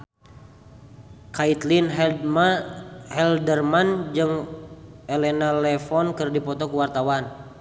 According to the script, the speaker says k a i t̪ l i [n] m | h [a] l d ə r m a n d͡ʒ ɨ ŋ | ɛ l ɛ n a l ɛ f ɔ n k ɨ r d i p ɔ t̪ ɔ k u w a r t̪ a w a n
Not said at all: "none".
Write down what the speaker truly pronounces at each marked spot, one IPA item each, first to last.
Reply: n, ɛ

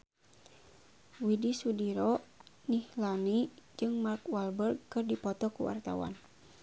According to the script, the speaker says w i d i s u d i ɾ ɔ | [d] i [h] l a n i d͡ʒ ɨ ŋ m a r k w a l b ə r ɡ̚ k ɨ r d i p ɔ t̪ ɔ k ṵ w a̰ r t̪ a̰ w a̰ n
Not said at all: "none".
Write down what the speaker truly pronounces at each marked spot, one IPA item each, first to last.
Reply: n, h

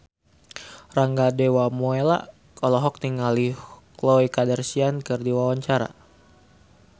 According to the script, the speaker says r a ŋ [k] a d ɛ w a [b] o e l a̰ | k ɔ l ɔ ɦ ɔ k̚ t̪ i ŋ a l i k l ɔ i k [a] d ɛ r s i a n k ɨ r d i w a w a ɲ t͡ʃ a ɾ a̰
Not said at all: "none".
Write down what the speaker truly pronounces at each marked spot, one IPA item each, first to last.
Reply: ɡ, m, a

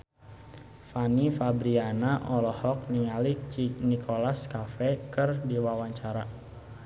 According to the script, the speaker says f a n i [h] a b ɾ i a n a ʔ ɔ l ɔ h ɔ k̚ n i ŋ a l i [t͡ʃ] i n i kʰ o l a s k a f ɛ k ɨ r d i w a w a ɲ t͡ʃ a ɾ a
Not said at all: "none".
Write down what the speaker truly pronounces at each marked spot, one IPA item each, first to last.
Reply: f, t͡ʃ

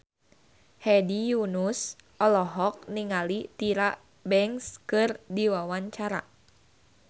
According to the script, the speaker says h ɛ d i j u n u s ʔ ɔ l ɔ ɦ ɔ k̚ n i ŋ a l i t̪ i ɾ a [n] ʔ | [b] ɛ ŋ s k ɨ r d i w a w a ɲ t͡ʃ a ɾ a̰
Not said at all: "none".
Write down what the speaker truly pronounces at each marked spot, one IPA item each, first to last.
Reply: none, b

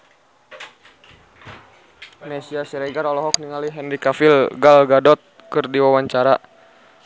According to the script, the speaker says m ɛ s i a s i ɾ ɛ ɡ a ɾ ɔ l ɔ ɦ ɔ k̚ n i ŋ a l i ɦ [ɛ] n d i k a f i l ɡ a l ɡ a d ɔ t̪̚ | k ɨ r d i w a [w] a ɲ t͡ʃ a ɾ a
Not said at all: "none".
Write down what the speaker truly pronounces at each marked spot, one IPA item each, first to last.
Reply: ɛ, w

